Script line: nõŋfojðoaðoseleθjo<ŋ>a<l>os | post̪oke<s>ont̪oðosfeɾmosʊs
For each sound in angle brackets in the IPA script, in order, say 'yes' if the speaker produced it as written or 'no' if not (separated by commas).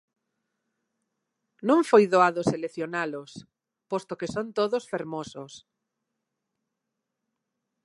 no, yes, yes